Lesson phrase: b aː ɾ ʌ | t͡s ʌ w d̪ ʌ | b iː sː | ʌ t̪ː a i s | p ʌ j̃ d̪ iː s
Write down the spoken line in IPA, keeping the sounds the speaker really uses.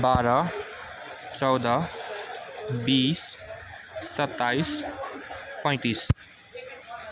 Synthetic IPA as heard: b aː ɾ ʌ | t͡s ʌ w d̪ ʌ | b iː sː | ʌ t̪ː a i s | p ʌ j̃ t̪ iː s

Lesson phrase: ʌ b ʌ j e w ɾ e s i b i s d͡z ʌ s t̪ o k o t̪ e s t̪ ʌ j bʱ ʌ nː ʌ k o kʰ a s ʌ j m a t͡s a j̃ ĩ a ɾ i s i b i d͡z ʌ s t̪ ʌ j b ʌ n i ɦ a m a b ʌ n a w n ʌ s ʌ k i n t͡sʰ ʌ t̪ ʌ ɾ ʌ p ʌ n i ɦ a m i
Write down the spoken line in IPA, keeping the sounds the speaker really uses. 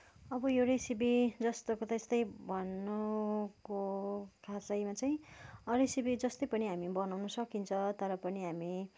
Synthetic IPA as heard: ʌ b ʌ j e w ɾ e s i b i d͡z ʌ s t̪ o k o t̪ e s t̪ ʌ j bʱ ʌ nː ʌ k o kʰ a s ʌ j m a t͡s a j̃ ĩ ʌ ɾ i s i b i d͡z ʌ s t̪ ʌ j p ʌ n i ɦ a m i b ʌ n a w n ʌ s ʌ k i n t͡sʰ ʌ t̪ ʌ ɾ ʌ p ʌ n i ɦ a m i

